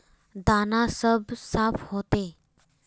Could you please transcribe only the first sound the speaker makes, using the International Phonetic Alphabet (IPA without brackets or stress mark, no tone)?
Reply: d̪